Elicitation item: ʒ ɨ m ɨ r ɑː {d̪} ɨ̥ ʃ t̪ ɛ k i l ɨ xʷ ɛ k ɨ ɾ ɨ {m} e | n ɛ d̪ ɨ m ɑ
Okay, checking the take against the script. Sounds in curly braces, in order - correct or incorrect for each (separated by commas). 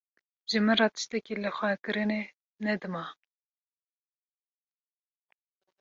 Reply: incorrect, incorrect